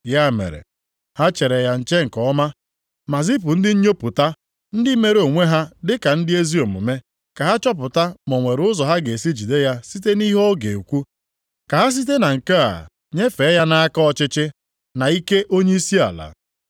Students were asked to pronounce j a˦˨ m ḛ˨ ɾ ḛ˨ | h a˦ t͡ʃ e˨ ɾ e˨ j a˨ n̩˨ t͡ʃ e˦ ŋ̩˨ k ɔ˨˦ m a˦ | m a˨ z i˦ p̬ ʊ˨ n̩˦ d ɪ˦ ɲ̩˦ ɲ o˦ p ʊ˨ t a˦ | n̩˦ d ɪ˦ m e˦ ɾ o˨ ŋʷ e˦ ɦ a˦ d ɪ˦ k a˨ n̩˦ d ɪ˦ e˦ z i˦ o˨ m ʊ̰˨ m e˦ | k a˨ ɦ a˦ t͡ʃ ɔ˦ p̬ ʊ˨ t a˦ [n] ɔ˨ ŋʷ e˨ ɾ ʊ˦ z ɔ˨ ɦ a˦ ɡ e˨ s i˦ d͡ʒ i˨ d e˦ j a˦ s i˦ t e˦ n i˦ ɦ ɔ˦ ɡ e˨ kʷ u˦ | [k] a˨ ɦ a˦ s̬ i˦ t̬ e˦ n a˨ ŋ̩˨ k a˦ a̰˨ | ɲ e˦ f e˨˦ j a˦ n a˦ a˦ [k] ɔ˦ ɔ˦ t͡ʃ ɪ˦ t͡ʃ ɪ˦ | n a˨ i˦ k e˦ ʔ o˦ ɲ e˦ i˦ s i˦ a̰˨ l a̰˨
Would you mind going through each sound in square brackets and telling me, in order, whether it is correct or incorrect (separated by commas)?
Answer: incorrect, correct, correct